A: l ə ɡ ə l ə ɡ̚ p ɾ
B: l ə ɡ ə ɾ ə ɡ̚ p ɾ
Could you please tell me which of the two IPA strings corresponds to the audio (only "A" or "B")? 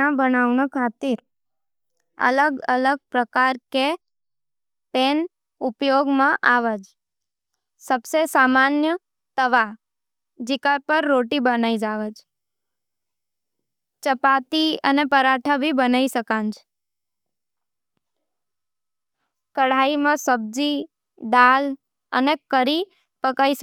A